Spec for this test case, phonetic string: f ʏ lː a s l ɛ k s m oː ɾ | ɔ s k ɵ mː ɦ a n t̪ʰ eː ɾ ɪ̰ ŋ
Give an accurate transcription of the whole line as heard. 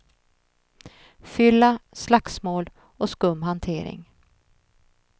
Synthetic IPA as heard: f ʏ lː a s l a k s m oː l | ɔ s k ɵ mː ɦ a n t̪ʰ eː ɾ ɪ̰ ŋ